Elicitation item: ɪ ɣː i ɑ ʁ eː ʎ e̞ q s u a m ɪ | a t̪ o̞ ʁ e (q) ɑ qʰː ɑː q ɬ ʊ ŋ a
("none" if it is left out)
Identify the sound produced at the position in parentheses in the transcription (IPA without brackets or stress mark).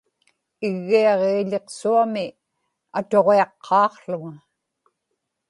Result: none